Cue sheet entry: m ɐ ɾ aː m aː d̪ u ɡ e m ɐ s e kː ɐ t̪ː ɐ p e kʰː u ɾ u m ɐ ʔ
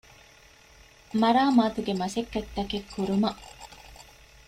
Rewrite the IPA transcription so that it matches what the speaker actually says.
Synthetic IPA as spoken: m ɐ ɾ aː m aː t̪ u ɡ e m ɐ s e kː ɐ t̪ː ɐ k e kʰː u ɾ u m ɐ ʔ